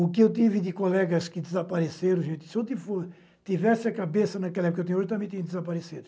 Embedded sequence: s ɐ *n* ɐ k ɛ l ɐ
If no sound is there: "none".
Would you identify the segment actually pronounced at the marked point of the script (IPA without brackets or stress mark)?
n